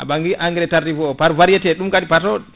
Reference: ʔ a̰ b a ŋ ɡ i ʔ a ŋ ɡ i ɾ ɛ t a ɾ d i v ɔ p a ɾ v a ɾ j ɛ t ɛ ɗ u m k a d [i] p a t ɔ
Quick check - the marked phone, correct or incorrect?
correct